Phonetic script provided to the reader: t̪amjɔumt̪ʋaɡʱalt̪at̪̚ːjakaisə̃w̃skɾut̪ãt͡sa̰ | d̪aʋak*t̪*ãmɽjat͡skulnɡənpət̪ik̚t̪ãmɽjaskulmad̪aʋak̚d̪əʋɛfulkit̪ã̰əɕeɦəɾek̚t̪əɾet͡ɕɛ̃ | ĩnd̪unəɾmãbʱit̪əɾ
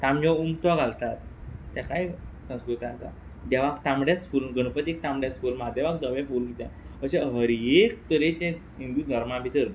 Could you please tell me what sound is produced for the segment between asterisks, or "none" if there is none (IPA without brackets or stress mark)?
t̪